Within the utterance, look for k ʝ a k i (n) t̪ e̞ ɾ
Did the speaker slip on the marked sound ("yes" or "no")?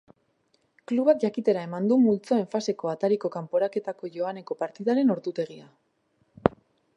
yes